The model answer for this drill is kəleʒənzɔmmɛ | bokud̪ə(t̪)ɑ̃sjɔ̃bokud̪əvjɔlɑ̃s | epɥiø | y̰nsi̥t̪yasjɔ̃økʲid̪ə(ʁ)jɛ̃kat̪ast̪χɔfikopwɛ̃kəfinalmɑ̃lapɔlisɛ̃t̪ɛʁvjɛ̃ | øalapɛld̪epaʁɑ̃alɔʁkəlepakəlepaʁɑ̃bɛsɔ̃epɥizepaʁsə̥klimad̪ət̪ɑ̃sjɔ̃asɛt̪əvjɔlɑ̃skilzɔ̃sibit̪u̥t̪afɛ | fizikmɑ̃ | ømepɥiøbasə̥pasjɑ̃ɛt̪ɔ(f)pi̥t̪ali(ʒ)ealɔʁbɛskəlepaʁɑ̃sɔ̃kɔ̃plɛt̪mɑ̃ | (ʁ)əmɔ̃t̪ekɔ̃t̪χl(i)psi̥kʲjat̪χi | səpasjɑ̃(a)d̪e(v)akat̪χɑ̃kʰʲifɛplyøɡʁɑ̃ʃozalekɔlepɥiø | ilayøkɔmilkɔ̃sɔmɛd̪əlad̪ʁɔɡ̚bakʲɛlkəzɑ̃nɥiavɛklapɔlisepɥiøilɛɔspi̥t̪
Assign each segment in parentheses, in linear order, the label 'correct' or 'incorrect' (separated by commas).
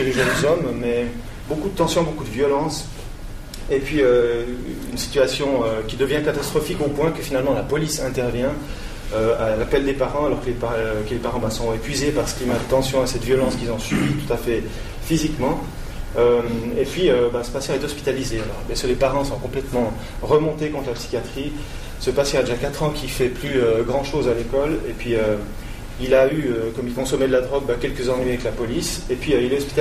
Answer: correct, incorrect, incorrect, incorrect, correct, incorrect, correct, incorrect